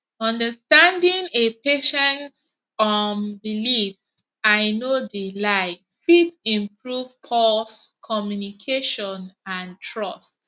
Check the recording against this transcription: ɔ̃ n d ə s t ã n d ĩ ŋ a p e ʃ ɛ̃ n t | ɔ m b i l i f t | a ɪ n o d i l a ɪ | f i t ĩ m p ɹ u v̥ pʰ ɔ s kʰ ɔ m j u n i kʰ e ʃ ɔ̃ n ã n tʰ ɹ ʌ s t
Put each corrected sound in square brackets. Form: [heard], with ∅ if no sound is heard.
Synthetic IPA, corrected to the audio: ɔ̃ n d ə s t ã n d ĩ ŋ [e] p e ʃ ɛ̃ n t | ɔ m b i l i f [s] | a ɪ n o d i l a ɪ | f i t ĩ m p ɹ u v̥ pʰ ɔ s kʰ ɔ m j u n i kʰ e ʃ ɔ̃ n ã n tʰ ɹ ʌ s t